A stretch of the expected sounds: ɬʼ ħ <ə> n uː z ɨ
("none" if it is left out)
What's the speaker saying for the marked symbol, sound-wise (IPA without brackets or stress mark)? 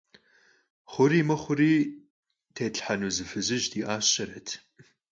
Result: a